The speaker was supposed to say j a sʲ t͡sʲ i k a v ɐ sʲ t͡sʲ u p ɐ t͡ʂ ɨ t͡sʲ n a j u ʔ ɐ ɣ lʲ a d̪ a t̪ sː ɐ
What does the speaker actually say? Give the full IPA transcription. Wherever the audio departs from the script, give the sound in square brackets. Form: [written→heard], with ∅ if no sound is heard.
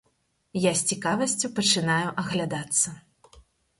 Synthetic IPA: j a sʲ t͡sʲ i k a v ɐ sʲ t͡sʲ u p ɐ t͡ʂ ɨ [t͡sʲ→∅] n a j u ʔ ɐ ɣ lʲ a d̪ a t̪ sː ɐ